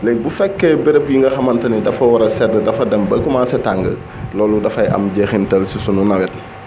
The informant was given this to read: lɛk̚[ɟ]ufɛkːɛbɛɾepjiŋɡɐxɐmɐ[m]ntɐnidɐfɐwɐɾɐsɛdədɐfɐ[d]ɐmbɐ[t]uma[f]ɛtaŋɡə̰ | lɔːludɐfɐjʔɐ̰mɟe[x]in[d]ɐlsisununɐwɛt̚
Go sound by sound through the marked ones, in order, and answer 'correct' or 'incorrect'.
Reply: incorrect: b, incorrect: none, correct, incorrect: k, incorrect: s, correct, incorrect: t

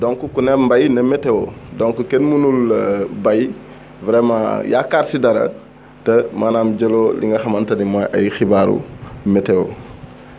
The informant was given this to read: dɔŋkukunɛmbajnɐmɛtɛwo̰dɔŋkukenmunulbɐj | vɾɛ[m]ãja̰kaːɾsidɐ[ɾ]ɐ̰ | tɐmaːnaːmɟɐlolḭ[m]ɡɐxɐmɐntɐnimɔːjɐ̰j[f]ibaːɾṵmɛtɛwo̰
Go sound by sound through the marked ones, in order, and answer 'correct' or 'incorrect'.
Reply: correct, correct, incorrect: ŋ, incorrect: x

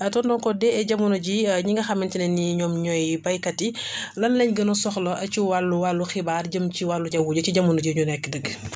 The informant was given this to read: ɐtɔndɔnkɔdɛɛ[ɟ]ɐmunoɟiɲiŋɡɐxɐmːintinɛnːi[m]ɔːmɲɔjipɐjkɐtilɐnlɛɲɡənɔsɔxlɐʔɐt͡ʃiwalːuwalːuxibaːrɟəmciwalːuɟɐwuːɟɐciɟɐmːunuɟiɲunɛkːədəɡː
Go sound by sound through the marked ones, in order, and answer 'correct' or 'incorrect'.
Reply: correct, incorrect: ɲ

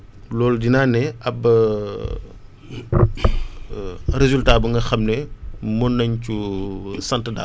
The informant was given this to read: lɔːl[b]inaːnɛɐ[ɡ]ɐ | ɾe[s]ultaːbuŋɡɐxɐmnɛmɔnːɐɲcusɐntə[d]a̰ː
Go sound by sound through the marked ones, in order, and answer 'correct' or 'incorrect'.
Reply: incorrect: d, incorrect: b, incorrect: z, correct

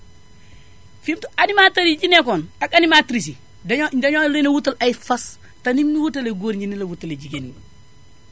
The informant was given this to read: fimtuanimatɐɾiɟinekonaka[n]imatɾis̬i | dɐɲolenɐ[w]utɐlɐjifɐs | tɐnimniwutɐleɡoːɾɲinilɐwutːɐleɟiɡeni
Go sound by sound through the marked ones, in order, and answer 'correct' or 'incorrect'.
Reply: correct, correct

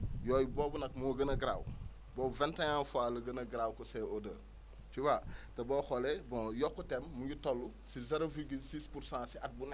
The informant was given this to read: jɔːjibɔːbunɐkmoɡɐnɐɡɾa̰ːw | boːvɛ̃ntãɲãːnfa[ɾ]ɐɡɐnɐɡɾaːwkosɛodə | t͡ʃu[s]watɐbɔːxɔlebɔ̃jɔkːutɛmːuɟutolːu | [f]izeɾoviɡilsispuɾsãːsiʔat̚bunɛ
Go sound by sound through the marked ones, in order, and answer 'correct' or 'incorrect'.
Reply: incorrect: l, incorrect: none, incorrect: s

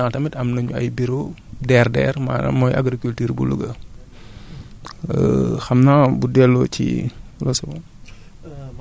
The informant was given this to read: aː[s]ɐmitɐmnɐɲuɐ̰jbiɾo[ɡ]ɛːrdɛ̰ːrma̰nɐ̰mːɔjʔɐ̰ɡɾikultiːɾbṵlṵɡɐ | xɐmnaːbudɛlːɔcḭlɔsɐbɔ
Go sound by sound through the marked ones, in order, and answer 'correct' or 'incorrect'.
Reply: incorrect: t, incorrect: d

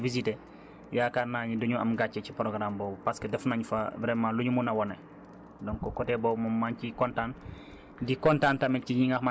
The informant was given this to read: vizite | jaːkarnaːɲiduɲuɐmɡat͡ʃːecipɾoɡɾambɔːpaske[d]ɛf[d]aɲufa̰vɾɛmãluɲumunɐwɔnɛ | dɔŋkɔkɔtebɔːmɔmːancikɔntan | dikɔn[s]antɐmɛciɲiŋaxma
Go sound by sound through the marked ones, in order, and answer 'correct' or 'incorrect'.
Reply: correct, incorrect: n, incorrect: t

